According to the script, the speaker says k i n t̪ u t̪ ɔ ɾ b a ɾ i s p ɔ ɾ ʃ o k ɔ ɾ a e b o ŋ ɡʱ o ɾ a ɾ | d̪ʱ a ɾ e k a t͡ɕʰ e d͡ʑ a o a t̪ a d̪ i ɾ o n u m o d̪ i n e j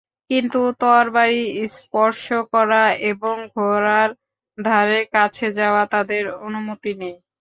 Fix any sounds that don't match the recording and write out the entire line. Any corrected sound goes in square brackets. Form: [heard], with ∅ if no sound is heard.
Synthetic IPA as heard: k i n t̪ u t̪ ɔ ɾ b a ɾ i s p ɔ ɾ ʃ o k ɔ ɾ a e b o ŋ ɡʱ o ɾ a ɾ | d̪ʱ a ɾ e k a t͡ɕʰ e d͡ʑ a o a t̪ a d̪ [e] ɾ o n u m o [t̪] i n e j